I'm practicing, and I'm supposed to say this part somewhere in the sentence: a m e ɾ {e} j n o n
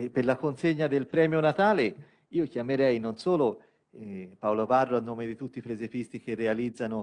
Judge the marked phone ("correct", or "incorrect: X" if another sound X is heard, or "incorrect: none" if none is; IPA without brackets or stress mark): incorrect: ɛ